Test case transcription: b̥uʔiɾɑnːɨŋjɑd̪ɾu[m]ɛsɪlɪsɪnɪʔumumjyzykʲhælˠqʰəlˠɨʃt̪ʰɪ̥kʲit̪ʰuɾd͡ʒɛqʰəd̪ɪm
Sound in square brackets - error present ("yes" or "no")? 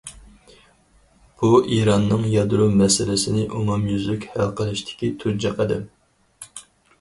no